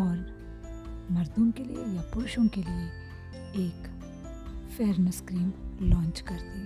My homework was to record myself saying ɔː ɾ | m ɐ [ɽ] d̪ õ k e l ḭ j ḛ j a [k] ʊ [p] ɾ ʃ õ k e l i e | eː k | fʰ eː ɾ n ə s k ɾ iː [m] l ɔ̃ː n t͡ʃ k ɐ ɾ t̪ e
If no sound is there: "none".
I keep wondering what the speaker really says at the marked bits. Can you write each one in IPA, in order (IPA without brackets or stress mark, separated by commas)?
ɾ, p, none, m